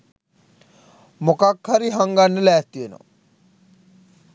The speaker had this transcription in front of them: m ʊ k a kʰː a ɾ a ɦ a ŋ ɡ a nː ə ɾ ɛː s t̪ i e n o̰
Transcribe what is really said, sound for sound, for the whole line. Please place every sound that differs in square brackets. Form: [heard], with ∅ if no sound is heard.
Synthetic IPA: m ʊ k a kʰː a ɾ [i] ɦ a ŋ ɡ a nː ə [l] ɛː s t̪ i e n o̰